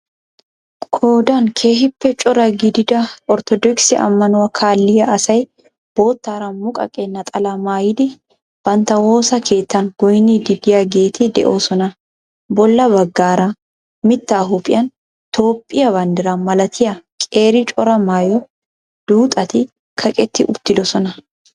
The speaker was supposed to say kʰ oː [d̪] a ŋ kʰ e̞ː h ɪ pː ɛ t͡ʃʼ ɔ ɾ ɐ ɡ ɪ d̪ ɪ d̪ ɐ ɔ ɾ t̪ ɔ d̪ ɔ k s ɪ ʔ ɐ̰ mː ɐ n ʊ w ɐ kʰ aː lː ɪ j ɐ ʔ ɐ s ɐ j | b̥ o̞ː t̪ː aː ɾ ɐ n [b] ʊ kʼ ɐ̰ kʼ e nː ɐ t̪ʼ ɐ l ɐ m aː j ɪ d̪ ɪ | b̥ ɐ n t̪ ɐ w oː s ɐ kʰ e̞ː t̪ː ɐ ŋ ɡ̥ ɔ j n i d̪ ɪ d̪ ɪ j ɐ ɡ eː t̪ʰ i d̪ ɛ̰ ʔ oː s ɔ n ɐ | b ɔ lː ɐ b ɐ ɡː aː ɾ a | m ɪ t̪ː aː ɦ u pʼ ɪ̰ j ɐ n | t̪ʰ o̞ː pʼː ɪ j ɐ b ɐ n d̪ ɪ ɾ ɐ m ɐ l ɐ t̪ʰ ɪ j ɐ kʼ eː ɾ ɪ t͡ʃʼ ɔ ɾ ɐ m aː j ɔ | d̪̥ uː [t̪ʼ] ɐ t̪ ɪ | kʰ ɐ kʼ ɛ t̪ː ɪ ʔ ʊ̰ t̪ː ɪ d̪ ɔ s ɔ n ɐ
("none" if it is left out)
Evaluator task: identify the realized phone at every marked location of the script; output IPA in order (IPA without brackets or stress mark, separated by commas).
d̪, m, t̪ʼ